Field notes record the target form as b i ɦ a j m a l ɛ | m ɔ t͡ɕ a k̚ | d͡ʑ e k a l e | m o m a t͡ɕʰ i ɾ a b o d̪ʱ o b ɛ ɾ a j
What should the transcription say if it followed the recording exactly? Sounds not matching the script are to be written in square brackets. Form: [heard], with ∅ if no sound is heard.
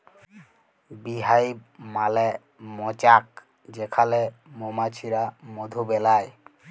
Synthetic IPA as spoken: b i ɦ a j m a l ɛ | m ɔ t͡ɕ a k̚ | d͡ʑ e [kʰ] a l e | m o m a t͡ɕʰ i ɾ a [m] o d̪ʱ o b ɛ [l] a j